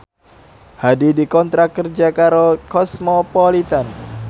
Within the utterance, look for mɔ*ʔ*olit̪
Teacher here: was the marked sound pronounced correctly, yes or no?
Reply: no